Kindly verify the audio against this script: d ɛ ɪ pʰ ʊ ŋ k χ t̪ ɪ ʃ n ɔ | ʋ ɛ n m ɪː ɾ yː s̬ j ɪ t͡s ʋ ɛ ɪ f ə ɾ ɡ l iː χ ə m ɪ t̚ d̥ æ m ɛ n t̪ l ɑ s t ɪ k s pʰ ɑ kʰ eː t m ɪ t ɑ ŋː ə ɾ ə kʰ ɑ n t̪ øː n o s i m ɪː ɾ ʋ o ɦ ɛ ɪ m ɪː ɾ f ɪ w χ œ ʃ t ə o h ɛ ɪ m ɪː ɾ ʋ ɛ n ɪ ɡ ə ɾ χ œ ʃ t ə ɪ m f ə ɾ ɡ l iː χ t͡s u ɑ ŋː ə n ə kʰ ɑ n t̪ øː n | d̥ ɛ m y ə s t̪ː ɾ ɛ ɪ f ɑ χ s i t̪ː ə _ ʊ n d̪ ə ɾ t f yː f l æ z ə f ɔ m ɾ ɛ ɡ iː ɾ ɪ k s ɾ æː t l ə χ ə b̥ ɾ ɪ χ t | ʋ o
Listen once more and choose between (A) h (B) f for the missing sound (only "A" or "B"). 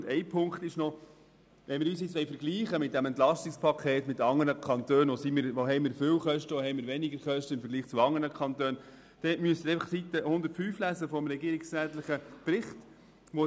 A